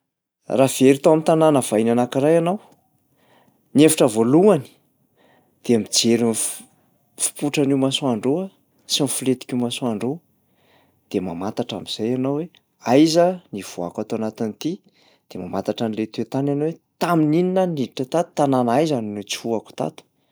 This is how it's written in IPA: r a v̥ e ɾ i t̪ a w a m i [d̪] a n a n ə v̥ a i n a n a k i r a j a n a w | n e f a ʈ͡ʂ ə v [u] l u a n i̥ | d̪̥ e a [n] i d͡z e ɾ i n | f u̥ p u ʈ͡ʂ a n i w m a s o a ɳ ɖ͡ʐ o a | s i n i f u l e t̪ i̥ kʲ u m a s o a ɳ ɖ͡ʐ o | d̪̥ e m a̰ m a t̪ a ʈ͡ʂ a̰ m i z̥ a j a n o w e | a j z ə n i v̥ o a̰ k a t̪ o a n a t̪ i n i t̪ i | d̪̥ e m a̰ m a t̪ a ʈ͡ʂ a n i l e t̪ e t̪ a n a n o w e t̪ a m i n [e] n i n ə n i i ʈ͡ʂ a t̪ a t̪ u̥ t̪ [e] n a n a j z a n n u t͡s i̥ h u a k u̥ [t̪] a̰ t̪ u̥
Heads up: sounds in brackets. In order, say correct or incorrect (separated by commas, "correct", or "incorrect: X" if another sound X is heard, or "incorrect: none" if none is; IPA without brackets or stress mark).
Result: incorrect: t̪, incorrect: o, incorrect: m, incorrect: i, incorrect: a, correct